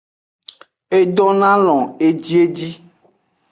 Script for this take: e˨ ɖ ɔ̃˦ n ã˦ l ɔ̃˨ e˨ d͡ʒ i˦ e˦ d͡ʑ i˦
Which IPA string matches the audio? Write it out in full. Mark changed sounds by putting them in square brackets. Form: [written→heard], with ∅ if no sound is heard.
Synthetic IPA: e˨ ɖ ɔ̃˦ n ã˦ l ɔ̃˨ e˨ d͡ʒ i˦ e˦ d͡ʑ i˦